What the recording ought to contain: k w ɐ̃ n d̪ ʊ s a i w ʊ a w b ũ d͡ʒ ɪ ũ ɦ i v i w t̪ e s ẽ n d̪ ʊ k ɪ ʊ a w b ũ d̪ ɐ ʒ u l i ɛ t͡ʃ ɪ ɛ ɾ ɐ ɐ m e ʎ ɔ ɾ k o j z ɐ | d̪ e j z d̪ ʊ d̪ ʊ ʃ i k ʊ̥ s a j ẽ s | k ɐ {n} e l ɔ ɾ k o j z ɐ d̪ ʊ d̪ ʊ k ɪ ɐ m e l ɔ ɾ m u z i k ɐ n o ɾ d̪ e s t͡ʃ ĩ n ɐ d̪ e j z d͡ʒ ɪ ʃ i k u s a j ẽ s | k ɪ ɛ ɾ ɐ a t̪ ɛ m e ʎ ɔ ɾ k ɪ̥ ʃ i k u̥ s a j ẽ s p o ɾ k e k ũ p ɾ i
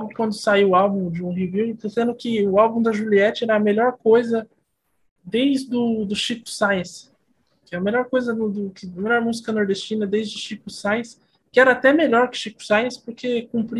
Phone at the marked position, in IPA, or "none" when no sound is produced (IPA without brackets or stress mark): m